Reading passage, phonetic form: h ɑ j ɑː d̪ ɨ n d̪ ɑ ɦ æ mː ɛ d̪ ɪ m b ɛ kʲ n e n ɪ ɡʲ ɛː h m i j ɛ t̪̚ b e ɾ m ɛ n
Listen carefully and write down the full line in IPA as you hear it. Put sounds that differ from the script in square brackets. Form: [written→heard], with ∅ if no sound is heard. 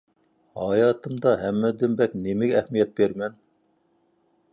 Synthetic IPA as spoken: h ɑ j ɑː [d̪→t̪] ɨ [n→m] d̪ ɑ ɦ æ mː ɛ d̪ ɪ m b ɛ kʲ n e [n→m] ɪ ɡʲ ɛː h m i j ɛ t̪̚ b e ɾ m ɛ n

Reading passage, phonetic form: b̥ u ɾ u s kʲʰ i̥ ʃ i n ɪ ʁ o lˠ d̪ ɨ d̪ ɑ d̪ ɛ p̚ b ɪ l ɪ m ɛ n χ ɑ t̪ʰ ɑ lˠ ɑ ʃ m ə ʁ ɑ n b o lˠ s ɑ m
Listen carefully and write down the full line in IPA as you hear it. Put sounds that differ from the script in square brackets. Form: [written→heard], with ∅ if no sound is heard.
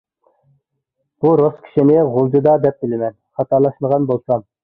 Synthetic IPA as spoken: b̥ u ɾ [u→o] s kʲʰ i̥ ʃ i n ɪ ʁ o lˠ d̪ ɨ d̪ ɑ d̪ ɛ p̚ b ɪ l ɪ m ɛ n χ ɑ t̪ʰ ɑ lˠ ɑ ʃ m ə ʁ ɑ n b o lˠ s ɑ m

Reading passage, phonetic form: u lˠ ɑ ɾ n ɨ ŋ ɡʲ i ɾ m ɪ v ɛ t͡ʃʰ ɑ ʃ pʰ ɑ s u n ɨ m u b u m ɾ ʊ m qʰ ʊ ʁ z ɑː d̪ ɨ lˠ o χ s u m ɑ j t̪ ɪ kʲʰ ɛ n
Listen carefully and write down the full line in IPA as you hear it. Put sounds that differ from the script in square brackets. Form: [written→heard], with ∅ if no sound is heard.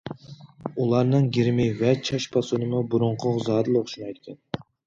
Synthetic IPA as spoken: u lˠ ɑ ɾ n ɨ ŋ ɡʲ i ɾ m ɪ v ɛ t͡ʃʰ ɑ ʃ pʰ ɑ s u n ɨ m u b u [m→∅] ɾ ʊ [m→ɴ] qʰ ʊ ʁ z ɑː d̪ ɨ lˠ o χ [s→ʃ] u [m→n] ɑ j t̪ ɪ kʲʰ ɛ n

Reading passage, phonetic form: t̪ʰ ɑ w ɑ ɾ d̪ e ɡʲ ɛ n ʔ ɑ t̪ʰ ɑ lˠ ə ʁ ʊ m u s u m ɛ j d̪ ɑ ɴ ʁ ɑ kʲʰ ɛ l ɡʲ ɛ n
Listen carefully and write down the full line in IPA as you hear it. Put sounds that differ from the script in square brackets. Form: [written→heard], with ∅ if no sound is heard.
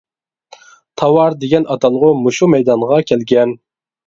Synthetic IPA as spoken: t̪ʰ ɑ w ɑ ɾ d̪ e ɡʲ ɛ n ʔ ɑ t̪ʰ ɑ lˠ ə ʁ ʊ m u [s→ʃ] u m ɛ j d̪ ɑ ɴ ʁ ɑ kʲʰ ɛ l ɡʲ ɛ n

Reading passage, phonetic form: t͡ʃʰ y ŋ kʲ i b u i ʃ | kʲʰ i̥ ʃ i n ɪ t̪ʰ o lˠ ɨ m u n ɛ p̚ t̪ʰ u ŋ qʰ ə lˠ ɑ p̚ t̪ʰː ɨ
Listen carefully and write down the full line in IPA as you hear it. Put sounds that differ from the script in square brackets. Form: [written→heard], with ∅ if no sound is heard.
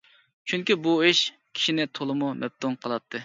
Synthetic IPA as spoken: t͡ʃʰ y ŋ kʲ i b u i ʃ | kʲʰ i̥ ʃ i n ɪ t̪ʰ o lˠ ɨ m u [n→m] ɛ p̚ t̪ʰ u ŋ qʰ ə lˠ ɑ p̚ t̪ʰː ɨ

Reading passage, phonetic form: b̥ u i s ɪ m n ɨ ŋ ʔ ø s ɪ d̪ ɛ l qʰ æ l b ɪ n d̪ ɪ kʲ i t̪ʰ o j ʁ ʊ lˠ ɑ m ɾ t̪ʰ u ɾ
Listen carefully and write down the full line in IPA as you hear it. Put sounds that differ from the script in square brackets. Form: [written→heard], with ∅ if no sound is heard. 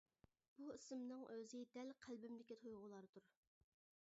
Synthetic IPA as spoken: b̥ u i s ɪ m n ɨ ŋ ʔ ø [s→z] ɪ d̪ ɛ l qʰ æ l b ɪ [n→m] d̪ ɪ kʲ i t̪ʰ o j ʁ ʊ lˠ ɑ [m→∅] ɾ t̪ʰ u ɾ

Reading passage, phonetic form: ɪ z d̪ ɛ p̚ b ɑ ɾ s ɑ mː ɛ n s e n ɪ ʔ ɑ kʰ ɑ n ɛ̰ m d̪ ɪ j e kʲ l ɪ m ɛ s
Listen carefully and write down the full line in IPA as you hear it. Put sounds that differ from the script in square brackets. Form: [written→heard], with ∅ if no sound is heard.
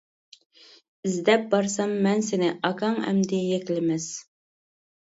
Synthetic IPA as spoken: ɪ z d̪ ɛ p̚ b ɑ ɾ s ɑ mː ɛ n s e n ɪ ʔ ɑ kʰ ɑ [n→ŋ] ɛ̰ m d̪ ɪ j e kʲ l ɪ m ɛ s

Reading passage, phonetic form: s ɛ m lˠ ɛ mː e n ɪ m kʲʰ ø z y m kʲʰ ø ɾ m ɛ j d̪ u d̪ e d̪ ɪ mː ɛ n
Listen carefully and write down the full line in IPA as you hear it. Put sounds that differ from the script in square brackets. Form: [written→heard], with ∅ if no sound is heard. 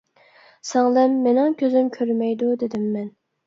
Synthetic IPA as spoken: s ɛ [m→ŋ] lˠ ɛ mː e n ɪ [m→ŋ] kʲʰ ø z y m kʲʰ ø ɾ m ɛ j d̪ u d̪ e d̪ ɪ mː ɛ n

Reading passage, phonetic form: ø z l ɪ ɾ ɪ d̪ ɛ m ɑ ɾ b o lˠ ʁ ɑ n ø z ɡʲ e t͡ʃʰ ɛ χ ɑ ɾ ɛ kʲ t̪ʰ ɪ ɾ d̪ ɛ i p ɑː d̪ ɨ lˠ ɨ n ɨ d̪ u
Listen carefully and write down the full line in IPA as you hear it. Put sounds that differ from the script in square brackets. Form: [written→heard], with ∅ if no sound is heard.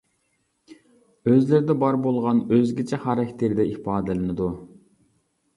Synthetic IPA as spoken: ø z l ɪ ɾ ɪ d̪ ɛ [m→b] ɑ ɾ b o lˠ ʁ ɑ n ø z ɡʲ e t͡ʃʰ ɛ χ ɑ ɾ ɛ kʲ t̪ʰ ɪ ɾ d̪ ɛ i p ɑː d̪ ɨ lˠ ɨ n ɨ d̪ u

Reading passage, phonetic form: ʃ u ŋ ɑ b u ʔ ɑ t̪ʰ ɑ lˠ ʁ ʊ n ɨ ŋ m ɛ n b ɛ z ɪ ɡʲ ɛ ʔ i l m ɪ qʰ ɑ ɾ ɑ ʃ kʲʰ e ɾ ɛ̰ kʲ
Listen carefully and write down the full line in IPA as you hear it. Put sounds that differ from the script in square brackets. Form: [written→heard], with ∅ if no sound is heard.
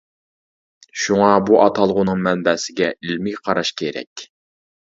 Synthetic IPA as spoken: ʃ u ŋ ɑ b u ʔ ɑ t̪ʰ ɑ lˠ ʁ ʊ n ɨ ŋ m ɛ n b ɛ [z→s] ɪ ɡʲ ɛ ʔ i l m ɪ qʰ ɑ ɾ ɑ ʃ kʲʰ e ɾ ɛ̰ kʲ

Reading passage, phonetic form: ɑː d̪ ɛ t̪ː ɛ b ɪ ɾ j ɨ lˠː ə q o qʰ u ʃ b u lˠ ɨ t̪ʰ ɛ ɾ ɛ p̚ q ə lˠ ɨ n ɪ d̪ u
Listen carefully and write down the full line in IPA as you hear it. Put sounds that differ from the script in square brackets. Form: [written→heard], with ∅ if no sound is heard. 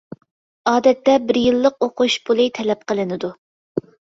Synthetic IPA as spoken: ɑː d̪ ɛ t̪ː ɛ b ɪ ɾ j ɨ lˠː ə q o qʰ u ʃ b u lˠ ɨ t̪ʰ ɛ [ɾ→l] ɛ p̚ q ə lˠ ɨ n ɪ d̪ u

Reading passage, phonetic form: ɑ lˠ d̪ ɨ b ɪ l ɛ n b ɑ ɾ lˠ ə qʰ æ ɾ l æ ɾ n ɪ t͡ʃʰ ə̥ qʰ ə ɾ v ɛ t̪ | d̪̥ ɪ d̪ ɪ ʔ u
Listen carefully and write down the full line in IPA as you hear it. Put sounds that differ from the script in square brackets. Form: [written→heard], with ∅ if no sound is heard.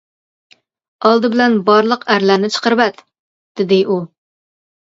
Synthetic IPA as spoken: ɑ lˠ d̪ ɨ b ɪ l ɛ n b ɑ ɾ lˠ ə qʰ æ ɾ l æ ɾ n ɪ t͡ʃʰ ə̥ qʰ ə ɾ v ɛ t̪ | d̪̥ ɪ d̪ ɪ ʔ u

